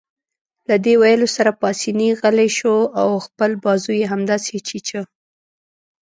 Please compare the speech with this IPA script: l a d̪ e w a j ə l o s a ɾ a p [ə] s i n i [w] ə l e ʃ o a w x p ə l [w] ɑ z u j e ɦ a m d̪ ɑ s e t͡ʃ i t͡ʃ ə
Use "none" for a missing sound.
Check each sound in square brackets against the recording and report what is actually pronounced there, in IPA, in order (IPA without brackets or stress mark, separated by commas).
ɑ, ɣ, b